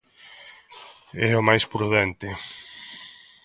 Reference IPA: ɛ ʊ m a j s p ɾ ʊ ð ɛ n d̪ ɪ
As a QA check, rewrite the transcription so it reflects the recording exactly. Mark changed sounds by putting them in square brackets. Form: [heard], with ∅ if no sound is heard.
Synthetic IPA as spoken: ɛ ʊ m a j s p ɾ [u] ð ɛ n [t̪] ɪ

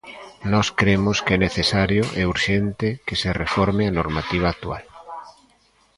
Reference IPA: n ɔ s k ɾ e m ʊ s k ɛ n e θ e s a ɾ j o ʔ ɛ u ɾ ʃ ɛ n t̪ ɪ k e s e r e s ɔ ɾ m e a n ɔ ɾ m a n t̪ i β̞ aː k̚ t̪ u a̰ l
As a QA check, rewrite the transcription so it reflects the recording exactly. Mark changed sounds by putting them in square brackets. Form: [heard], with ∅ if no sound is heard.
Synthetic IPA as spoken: n ɔ s k ɾ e m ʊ s k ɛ n e θ e s a ɾ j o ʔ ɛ u ɾ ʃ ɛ n t̪ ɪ k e s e r e [f] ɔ ɾ m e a n [o] ɾ m a [∅] t̪ i β̞ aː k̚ t̪ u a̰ l

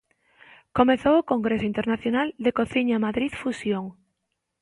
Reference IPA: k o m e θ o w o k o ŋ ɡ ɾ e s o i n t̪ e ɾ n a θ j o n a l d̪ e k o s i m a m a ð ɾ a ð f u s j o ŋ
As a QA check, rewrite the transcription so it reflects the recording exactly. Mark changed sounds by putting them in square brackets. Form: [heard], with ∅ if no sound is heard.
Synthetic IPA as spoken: k o m e θ o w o k o ŋ ɡ ɾ e s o i n t̪ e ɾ n a θ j o n a l d̪ e k o [θ] i [ɲ] a m a ð ɾ [i] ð f u s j o ŋ

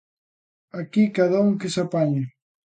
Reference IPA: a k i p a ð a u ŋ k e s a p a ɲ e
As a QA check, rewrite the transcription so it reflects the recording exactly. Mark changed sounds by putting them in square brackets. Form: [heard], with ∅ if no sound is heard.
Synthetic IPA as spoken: a k i [k] a ð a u ŋ k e s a p a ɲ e

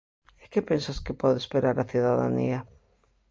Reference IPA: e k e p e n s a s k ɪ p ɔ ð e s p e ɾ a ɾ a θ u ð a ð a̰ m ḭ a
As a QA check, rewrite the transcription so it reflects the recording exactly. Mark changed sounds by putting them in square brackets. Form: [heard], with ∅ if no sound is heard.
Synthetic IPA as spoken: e k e p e n s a s k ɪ p ɔ ð e s p e ɾ a ɾ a θ u ð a ð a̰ [n] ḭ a

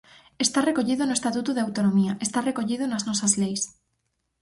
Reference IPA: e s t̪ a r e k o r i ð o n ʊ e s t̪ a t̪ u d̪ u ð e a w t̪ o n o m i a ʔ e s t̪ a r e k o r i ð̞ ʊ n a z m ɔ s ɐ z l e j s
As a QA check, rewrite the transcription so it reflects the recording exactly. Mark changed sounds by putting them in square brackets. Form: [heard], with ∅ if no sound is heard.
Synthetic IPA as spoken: e s t̪ a r e k o [ʎ] i ð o n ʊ e s t̪ a t̪ u [t̪] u ð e a w t̪ o n o m i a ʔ e s t̪ a r e k o [ʎ] i ð̞ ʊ n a z [n] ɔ s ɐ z l e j s

